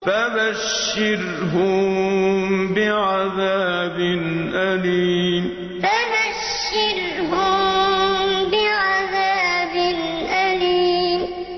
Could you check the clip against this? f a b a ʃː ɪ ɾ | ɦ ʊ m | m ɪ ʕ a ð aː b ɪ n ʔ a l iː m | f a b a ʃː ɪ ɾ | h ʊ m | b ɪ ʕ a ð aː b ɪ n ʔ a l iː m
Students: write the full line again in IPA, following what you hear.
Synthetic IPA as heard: f a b a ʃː ɪ ɾ | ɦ ʊ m | b ɪ ʕ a ð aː b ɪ n ʔ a l iː m | f a b a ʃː ɪ ɾ | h ʊ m | b ɪ ʕ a ð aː b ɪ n ʔ a l iː m